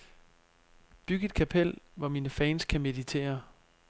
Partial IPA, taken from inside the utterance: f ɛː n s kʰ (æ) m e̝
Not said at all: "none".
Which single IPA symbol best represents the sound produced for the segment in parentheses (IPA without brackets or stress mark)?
æ